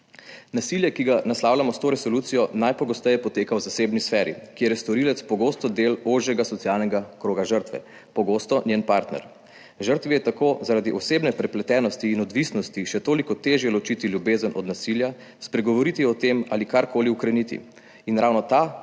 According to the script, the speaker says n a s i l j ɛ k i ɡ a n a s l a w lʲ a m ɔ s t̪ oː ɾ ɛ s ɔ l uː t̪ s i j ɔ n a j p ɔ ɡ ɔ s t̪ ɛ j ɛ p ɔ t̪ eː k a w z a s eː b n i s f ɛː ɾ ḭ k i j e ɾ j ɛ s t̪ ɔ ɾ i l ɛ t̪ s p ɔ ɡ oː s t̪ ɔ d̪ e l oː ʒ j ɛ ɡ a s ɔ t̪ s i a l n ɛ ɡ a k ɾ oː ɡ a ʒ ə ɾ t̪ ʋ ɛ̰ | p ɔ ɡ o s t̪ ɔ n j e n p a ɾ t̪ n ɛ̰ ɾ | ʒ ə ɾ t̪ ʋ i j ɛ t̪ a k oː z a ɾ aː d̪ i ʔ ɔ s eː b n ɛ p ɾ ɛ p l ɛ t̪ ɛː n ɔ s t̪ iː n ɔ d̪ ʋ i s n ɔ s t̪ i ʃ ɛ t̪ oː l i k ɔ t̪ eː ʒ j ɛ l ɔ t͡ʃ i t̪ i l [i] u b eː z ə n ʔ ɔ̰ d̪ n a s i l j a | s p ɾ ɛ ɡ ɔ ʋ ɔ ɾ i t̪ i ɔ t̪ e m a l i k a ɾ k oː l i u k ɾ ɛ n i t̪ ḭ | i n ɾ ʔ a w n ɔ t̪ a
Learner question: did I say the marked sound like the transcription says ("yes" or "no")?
no